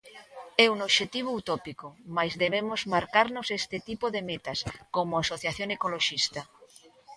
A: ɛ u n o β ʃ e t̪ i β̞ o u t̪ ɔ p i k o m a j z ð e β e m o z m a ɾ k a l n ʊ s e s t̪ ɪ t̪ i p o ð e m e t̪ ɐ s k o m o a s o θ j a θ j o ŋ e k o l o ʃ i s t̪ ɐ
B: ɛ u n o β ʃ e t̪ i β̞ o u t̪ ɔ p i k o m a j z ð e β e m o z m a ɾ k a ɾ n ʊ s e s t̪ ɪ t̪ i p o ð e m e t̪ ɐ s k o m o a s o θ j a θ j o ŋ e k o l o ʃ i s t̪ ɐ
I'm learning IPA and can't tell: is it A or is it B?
B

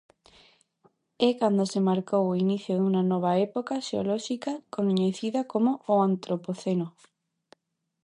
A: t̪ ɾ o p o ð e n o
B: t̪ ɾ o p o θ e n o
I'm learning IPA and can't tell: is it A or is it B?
B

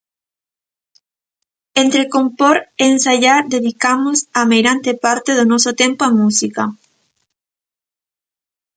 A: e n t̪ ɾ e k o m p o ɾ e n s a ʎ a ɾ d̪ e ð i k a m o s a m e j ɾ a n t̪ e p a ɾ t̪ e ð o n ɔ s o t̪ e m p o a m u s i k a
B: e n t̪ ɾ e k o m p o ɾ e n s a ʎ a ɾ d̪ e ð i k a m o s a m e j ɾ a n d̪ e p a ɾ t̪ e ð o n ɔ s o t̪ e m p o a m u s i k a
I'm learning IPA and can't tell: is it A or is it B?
A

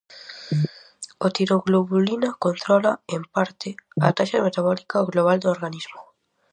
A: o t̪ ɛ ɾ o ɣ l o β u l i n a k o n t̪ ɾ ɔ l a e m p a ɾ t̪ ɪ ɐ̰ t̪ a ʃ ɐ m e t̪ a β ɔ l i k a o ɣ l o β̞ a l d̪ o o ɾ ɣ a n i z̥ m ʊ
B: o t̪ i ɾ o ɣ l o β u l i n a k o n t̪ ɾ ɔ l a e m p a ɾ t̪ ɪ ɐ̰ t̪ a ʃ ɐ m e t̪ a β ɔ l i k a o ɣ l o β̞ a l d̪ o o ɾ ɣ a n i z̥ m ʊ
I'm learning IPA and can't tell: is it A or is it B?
B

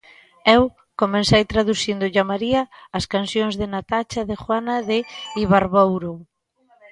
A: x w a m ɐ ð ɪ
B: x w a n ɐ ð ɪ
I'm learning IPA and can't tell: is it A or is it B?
B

